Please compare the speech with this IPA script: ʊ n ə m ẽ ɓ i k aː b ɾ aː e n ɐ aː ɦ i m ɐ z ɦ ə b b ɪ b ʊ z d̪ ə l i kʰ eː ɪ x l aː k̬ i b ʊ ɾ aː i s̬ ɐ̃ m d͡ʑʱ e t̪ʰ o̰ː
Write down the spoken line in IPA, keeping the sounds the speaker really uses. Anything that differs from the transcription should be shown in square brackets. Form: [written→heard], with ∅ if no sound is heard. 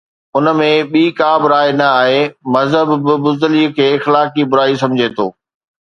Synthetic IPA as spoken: ʊ n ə m ẽ ɓ [i→iː] k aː b ɾ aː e n ɐ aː ɦ [i→e] m ɐ z ɦ ə b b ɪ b ʊ z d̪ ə l i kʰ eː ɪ x l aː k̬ i b ʊ ɾ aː i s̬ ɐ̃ m d͡ʑʱ e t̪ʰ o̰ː